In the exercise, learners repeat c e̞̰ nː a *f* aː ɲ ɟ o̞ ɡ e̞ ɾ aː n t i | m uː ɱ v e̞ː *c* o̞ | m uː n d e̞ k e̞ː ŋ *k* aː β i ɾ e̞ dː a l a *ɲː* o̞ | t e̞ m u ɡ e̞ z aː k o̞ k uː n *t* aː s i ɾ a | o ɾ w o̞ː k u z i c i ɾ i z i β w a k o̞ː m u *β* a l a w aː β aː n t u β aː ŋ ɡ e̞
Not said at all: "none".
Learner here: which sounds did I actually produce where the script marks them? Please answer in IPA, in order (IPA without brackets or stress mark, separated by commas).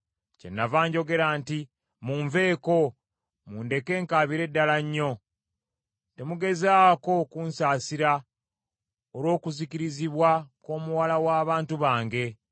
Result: v, k, k, ɲː, s, w